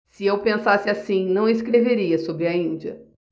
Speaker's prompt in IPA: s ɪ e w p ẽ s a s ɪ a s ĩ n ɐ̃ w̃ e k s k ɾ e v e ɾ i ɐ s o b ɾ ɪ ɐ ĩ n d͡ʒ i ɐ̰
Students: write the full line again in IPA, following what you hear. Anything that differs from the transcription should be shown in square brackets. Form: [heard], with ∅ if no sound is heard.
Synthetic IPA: s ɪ e w p ẽ s a s ɪ a s ĩ n ɐ̃ w̃ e [∅] s k ɾ e v e ɾ i ɐ s o b ɾ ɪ ɐ ĩ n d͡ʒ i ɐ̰